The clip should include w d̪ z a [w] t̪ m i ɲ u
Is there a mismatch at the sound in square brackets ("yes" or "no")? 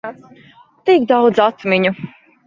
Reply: yes